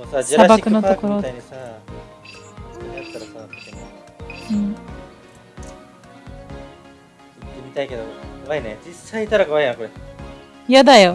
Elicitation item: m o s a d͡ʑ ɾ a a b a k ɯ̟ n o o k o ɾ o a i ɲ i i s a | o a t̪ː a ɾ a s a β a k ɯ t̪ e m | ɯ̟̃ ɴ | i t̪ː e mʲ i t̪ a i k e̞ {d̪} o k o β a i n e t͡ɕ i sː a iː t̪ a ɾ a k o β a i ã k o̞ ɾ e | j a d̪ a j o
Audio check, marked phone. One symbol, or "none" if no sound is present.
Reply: d̪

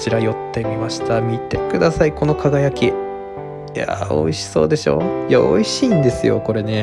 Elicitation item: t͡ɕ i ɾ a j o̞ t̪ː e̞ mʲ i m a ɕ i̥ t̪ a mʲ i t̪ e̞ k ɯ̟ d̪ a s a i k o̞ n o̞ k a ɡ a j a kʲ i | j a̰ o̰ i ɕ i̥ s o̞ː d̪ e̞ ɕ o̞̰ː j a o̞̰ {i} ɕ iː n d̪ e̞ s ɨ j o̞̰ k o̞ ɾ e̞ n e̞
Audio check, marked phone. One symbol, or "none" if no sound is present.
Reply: i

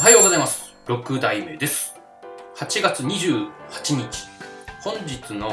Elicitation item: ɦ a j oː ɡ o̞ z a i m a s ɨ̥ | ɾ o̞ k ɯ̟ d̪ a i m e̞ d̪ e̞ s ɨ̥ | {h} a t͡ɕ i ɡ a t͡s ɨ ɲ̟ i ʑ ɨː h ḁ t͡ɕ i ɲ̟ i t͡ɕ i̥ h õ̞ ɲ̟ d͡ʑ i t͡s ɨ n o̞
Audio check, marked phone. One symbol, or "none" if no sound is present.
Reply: h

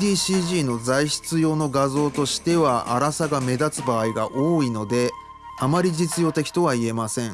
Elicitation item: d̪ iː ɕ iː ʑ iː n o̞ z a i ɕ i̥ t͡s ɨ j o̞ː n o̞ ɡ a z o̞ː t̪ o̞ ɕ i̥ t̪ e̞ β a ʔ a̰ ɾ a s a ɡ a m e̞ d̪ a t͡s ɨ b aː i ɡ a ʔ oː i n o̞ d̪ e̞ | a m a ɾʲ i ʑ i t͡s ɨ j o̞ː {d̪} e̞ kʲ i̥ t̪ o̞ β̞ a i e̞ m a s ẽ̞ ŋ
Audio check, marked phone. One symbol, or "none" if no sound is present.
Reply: t̪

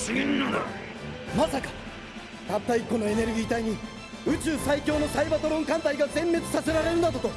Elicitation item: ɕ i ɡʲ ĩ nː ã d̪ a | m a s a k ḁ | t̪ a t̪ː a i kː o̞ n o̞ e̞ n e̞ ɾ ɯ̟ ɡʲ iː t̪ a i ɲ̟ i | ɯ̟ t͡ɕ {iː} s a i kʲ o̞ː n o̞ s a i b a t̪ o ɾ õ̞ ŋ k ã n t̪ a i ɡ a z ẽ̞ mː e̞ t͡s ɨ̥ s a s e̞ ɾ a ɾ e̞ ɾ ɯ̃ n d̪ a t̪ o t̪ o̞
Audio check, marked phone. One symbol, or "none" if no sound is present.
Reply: ɨː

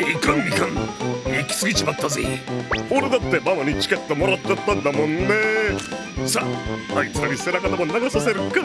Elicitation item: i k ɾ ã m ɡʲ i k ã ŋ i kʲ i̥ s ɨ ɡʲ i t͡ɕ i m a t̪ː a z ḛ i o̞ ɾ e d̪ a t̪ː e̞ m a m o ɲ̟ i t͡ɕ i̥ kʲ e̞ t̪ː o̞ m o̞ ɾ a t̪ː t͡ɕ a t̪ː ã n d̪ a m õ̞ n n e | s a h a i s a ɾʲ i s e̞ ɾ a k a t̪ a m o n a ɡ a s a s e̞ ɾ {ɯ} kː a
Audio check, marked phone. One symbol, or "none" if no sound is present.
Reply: ɯ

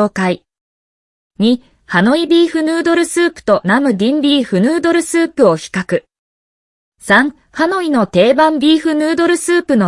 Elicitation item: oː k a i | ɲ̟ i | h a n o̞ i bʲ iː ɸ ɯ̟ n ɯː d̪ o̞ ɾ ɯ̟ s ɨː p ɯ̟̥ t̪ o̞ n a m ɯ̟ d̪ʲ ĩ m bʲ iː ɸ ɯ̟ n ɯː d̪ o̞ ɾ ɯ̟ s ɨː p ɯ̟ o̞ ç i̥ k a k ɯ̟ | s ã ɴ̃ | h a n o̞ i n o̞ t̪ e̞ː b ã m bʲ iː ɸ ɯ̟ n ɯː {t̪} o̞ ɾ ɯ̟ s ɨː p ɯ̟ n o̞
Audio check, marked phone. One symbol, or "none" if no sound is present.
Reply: d̪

